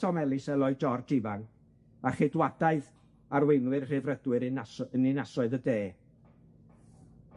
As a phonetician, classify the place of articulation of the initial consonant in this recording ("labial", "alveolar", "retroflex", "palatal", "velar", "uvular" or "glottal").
labial